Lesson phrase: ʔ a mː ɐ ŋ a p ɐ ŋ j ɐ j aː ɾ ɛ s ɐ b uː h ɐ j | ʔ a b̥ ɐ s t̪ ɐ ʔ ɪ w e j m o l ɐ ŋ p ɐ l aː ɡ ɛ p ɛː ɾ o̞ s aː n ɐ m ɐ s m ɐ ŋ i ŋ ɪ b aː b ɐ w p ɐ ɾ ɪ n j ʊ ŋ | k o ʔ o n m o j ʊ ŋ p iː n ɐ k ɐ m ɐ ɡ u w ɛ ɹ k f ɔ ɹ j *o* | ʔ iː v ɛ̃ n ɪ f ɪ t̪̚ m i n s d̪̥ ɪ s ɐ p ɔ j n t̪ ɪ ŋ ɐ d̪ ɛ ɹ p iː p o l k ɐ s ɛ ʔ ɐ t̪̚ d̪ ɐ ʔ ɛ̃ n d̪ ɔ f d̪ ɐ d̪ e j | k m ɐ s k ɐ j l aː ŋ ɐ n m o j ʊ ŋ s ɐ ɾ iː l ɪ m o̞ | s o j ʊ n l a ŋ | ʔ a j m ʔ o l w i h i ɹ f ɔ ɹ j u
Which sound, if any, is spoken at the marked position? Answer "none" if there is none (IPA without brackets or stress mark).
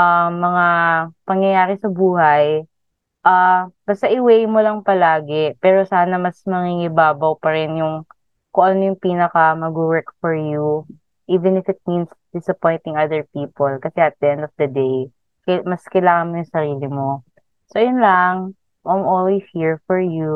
u